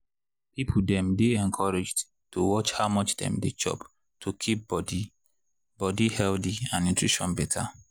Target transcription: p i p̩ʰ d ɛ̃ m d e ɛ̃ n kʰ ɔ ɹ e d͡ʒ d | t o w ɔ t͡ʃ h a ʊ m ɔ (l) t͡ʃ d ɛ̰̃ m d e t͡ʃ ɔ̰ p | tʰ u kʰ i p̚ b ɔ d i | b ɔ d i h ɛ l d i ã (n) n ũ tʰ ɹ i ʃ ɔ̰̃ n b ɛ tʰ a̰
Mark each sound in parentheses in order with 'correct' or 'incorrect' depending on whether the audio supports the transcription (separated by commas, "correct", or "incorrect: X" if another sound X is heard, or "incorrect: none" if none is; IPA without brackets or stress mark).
incorrect: none, correct